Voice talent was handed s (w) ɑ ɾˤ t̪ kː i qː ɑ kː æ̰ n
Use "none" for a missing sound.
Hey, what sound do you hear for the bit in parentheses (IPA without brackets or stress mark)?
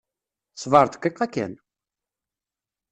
v